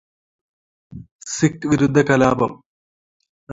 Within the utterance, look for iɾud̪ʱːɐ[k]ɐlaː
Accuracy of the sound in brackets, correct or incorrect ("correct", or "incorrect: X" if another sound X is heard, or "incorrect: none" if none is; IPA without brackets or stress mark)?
correct